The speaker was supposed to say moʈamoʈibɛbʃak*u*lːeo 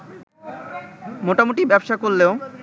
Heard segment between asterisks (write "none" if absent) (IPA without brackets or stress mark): o